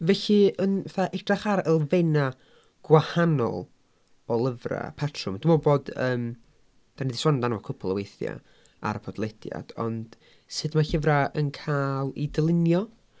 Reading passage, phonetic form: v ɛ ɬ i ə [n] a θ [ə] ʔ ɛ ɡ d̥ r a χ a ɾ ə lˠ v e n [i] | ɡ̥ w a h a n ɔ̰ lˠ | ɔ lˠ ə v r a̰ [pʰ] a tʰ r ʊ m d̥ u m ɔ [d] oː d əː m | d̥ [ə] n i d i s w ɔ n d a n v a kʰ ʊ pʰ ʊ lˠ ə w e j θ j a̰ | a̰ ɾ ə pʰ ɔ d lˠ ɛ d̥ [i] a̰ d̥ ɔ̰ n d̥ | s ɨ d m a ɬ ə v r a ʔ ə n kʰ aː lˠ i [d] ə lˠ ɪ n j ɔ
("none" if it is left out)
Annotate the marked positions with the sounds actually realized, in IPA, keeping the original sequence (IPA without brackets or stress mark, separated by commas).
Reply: n, a, a, pʰ, b, a, j, d